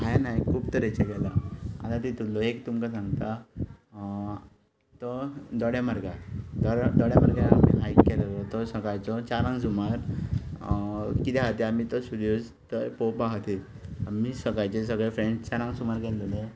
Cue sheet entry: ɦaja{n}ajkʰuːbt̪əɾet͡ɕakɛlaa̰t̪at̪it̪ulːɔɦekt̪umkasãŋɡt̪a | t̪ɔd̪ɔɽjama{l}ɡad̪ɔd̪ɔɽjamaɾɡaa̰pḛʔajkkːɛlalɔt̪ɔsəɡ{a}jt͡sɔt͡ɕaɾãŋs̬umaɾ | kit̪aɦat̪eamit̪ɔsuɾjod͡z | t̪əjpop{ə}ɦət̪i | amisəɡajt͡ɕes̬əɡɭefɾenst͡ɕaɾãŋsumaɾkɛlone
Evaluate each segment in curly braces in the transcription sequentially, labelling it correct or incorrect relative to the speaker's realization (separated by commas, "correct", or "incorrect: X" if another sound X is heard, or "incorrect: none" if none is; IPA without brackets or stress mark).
correct, incorrect: ɾ, correct, incorrect: a